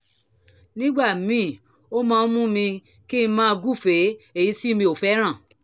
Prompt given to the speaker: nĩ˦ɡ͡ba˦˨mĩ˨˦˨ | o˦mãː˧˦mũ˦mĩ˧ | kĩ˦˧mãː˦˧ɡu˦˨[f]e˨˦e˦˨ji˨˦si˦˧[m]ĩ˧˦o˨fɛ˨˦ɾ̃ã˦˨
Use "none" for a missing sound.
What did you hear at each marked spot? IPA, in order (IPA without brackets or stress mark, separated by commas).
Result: f, m